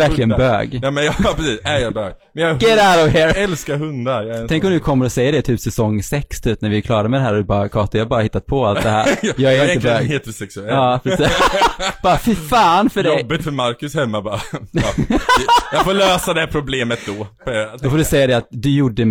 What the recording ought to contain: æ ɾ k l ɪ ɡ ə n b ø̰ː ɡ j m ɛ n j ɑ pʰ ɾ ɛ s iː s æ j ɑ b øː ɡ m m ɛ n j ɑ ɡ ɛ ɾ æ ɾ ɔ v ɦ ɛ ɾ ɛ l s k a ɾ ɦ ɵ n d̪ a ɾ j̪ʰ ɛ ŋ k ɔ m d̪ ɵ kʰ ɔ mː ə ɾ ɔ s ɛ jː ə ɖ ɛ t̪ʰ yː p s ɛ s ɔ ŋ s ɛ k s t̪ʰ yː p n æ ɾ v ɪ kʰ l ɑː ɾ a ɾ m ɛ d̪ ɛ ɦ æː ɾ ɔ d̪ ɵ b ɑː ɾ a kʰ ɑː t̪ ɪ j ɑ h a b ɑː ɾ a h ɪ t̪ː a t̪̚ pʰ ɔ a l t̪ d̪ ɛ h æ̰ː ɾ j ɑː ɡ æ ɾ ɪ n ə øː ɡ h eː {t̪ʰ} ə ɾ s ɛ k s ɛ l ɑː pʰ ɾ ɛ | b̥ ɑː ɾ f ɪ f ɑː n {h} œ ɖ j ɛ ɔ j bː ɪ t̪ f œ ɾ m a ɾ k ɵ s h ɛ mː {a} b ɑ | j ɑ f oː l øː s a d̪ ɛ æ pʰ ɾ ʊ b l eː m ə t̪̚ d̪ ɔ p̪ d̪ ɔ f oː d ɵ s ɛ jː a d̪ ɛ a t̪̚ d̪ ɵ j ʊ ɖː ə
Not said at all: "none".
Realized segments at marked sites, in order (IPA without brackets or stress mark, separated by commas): t̪, f, a